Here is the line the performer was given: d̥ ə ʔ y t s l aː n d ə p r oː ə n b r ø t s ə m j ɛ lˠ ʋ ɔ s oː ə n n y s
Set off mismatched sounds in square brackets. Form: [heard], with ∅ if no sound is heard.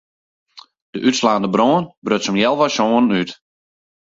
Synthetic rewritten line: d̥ ə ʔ y t s l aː n d ə [b] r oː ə n b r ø t s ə m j ɛ lˠ ʋ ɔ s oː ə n n y [t]